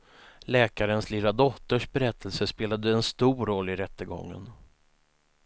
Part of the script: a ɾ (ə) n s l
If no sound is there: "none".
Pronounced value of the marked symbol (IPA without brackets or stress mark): ə